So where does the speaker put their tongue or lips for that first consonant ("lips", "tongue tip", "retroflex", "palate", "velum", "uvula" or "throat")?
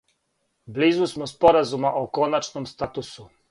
lips